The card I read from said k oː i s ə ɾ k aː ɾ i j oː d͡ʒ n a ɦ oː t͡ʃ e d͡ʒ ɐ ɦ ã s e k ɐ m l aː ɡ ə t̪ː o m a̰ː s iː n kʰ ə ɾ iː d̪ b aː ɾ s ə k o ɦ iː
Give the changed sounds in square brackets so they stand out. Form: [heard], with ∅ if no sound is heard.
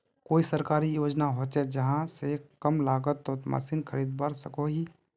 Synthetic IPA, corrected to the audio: k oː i s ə ɾ k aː ɾ i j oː d͡ʒ n a ɦ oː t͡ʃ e d͡ʒ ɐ ɦ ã s e k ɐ m l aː ɡ ə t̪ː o m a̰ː s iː n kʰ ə ɾ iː d̪ b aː ɾ s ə k o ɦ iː

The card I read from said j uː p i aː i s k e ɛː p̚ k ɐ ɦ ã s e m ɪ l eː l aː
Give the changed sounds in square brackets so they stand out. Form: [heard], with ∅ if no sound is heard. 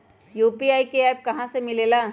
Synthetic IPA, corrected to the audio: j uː p i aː i [∅] k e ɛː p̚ k ɐ ɦ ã s e m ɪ l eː l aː

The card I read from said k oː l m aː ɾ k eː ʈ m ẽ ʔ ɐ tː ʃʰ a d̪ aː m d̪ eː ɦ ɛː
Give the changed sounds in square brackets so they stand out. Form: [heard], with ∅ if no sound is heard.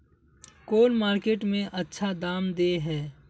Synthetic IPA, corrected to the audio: k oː l m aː ɾ k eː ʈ m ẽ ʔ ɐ tː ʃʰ a d̪ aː m d̪ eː ɦ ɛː

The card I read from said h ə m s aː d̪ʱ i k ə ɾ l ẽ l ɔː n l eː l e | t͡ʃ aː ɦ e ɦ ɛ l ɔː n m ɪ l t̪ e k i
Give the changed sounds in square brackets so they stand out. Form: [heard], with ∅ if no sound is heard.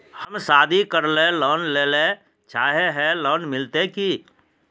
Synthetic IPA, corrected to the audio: h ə m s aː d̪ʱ i k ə ɾ l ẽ l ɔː n l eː l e | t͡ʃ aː ɦ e ɦ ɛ l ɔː n m ɪ l t̪ e k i

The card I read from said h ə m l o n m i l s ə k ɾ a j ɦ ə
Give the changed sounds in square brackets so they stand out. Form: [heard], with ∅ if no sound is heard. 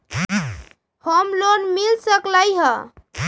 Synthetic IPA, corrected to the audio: h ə m l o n m i l s ə k [l] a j ɦ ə

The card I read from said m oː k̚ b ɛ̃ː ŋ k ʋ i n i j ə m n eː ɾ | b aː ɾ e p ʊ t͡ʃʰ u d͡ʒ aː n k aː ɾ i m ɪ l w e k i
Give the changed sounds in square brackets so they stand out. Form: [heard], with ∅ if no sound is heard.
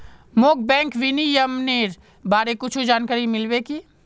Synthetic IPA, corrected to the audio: m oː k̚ b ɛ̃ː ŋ k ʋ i n i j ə m n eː ɾ | b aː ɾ e [k] ʊ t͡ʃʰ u d͡ʒ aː n k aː ɾ i m ɪ l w e k i

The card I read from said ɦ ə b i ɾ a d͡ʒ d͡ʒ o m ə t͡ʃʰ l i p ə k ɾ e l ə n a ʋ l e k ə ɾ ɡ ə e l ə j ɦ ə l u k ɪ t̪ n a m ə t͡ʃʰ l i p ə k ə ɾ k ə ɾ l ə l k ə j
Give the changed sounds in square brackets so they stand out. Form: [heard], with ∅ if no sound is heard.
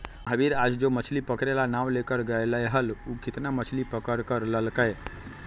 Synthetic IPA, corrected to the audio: ɦ ə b i ɾ a d͡ʒ d͡ʒ o m ə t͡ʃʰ l i p ə k ɾ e l [a] n a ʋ l e k ə ɾ ɡ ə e l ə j ɦ ə l u k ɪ t̪ n a m ə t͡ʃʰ l i p ə k ə ɾ k ə ɾ l ə l k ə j

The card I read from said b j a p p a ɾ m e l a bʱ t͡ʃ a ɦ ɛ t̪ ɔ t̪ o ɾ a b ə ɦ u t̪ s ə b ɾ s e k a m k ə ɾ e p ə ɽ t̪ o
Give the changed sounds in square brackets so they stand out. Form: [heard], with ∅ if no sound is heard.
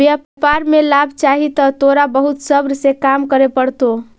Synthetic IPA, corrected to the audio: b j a p p a ɾ m e l a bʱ t͡ʃ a ɦ [i] t̪ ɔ t̪ o ɾ a b ə ɦ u t̪ s ə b ɾ s e k a m k ə ɾ e p ə ɽ t̪ o

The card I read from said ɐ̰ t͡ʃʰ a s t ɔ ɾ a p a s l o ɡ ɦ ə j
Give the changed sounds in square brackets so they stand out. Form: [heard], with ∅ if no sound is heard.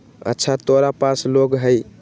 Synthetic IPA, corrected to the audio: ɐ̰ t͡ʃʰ a [∅] t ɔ ɾ a p a s l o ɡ ɦ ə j

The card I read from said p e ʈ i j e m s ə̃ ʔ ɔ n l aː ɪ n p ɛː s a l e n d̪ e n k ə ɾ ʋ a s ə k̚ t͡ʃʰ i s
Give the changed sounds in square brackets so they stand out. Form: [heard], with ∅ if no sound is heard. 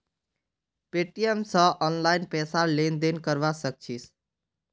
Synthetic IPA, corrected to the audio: p e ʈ i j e m s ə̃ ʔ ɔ n l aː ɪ n p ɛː s a l e n d̪ e n k ə ɾ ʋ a s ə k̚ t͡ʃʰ i s

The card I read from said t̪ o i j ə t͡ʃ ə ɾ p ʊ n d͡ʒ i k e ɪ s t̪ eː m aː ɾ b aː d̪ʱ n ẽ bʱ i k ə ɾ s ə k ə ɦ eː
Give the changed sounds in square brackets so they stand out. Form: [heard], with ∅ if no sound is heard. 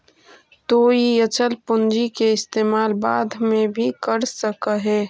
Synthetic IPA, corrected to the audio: t̪ o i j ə t͡ʃ ə [l] p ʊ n d͡ʒ i k e ɪ s t̪ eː m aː [l] b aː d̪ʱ [m] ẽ bʱ i k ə ɾ s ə k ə ɦ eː

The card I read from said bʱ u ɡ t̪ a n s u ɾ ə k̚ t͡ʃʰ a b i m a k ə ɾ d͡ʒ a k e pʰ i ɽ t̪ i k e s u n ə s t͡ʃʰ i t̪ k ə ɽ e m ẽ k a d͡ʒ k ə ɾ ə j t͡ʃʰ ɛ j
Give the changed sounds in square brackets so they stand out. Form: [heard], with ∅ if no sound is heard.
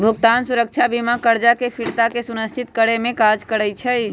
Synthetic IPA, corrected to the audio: bʱ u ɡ t̪ a n s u ɾ ə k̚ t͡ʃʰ a b i m a k ə ɾ d͡ʒ a k e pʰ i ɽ t̪ [a] k e s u n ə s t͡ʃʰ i t̪ k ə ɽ e m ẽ k a d͡ʒ k ə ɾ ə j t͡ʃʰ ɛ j

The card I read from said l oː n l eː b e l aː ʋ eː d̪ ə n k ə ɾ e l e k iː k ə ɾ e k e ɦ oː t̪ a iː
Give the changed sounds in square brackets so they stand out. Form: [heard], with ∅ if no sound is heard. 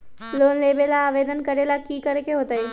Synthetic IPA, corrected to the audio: l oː n l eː b e l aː ʋ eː d̪ ə n k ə ɾ e l [a] k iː k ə ɾ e k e ɦ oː t̪ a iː

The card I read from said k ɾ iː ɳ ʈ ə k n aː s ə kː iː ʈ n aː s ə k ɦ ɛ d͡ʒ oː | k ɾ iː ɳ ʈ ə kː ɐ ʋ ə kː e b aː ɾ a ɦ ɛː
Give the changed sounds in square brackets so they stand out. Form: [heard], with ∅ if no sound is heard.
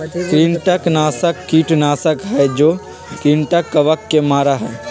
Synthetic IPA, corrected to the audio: k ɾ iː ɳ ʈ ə k n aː s ə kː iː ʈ n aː s ə k ɦ ɛ d͡ʒ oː | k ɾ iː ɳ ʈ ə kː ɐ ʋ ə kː e [m] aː ɾ a ɦ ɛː

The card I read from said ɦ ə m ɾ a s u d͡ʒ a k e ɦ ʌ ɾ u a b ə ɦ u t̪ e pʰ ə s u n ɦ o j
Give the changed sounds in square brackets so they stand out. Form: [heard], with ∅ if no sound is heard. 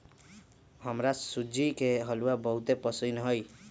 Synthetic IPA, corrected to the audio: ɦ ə m ɾ a s u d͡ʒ [i] k e ɦ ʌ [l] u a b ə ɦ u t̪ e [p] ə s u n ɦ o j

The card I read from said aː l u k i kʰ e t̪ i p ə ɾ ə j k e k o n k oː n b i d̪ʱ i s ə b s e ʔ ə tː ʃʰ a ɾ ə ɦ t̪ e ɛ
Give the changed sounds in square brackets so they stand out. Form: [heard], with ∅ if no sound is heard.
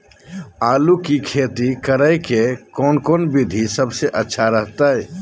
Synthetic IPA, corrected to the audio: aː l u k i kʰ e t̪ i [k] ə ɾ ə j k e k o n k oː n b i d̪ʱ i s ə b s e ʔ ə tː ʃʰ a ɾ ə ɦ t̪ [a] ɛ

